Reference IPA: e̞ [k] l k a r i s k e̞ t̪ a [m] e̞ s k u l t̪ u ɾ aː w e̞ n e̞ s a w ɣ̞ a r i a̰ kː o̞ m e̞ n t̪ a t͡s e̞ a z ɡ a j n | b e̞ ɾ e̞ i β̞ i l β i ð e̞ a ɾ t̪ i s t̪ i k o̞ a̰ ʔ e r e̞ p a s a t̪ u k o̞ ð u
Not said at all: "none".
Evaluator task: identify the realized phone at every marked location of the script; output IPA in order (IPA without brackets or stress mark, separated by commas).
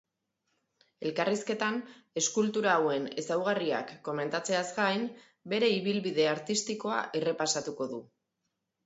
none, n